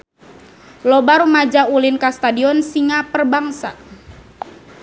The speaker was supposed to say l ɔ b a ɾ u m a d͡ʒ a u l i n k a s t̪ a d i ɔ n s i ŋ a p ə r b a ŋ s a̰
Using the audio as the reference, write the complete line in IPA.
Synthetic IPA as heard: l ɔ b a ɾ u m a d͡ʒ a u l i n k a s t̪ a d i ɔ n s i ŋ a p ə r b a ŋ s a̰